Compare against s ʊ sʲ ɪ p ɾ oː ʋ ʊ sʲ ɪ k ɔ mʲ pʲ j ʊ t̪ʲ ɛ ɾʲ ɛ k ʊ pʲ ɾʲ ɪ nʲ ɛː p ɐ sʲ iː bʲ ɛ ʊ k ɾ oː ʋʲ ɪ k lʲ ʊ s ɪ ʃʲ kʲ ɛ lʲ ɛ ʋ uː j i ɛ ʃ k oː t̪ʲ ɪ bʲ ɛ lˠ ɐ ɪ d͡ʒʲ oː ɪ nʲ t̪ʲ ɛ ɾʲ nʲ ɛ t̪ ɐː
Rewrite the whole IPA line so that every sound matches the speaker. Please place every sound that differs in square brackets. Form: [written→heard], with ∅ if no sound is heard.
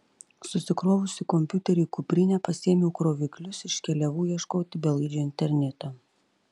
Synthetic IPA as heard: s ʊ sʲ ɪ [p→k] ɾ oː ʋ ʊ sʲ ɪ k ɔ mʲ pʲ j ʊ t̪ʲ ɛ ɾʲ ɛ k ʊ pʲ ɾʲ ɪ nʲ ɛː p ɐ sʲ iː [bʲ→mʲ] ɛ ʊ k ɾ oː ʋʲ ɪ k lʲ ʊ s ɪ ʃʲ kʲ ɛ lʲ ɛ ʋ uː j i ɛ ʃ k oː t̪ʲ ɪ bʲ ɛ lˠ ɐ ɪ d͡ʒʲ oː ɪ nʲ t̪ʲ ɛ ɾʲ nʲ ɛ t̪ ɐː